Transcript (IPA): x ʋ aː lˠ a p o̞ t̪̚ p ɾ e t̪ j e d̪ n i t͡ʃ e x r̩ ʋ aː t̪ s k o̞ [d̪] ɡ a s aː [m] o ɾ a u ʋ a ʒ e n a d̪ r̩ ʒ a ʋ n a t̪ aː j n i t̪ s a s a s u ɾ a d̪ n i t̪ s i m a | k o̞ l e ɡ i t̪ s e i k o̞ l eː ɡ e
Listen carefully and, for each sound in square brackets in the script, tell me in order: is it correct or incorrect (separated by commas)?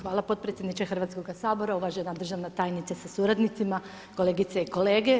incorrect, incorrect